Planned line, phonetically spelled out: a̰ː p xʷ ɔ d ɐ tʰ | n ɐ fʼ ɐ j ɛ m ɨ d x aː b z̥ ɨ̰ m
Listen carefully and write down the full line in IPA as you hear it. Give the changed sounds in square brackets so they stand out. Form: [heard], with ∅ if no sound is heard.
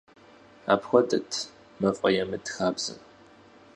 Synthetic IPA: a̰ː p xʷ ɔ d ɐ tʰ | [m] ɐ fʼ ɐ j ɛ m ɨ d x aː b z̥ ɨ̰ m